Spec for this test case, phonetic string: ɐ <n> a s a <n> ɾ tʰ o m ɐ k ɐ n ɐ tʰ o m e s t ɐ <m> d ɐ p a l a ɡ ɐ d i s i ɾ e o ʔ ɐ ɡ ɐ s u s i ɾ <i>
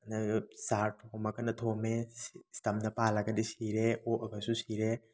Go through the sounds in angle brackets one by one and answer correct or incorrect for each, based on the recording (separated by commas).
correct, incorrect, correct, incorrect